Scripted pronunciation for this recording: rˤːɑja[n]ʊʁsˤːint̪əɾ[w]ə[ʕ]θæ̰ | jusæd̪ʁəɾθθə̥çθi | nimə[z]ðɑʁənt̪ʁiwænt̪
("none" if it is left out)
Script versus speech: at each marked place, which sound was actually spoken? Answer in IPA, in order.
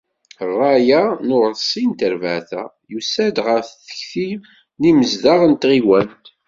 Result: n, v, ʕ, z

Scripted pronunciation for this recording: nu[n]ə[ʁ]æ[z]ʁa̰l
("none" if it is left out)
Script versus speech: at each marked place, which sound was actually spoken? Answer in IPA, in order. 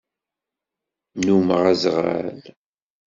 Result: m, ʁ, z

